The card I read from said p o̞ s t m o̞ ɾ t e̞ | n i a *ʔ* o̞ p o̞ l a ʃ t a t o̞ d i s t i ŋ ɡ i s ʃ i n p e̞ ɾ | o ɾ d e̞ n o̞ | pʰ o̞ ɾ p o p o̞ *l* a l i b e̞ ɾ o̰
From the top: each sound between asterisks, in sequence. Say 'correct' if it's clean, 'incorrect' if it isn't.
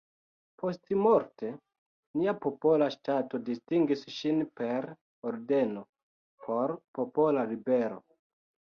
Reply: incorrect: p, correct

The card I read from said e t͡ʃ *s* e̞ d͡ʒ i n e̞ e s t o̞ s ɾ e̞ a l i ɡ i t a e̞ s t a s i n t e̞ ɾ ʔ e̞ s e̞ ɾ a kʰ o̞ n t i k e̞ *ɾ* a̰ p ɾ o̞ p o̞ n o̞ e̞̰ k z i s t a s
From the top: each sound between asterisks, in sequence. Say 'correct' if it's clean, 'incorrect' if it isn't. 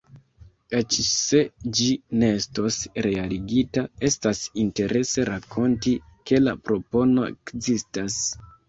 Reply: correct, incorrect: l

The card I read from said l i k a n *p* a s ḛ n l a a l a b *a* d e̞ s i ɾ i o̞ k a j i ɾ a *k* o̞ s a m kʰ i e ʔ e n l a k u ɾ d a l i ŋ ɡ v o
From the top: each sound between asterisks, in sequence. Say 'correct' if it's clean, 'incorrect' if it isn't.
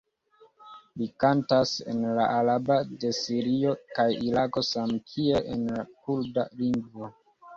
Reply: incorrect: t, correct, correct

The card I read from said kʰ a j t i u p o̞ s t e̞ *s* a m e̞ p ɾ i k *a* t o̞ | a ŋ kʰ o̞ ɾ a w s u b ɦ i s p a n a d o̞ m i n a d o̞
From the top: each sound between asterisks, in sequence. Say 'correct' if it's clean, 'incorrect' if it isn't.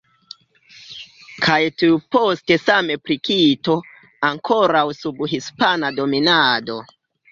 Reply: correct, incorrect: i

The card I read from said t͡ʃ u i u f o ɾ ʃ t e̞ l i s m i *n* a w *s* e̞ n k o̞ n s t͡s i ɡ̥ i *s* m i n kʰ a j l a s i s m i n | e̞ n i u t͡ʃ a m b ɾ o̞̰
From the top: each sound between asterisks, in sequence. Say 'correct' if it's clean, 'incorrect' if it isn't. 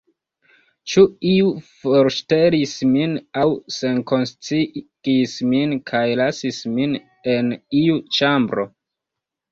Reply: correct, correct, correct

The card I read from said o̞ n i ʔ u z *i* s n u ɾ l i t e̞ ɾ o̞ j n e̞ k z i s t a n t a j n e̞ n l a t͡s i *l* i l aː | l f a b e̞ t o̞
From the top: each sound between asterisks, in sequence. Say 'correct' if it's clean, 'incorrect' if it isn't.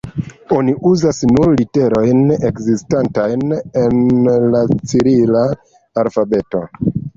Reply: incorrect: a, incorrect: ɾ

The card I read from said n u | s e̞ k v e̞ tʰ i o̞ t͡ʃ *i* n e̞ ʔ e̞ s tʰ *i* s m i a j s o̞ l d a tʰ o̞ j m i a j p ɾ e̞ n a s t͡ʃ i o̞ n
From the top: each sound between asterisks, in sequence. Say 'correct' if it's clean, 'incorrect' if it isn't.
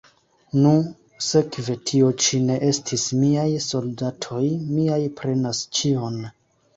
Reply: correct, correct

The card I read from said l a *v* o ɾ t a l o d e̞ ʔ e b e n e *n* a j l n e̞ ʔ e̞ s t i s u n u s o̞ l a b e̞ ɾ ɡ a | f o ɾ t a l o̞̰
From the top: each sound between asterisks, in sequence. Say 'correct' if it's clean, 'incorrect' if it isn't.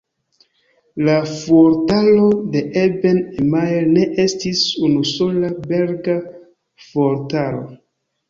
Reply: incorrect: f, incorrect: m

